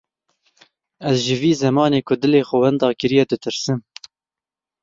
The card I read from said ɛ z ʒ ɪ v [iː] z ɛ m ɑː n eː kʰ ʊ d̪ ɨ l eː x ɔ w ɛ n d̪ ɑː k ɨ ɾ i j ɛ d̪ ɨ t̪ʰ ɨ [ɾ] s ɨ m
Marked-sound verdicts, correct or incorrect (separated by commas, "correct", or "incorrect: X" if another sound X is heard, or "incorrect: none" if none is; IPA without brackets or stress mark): correct, correct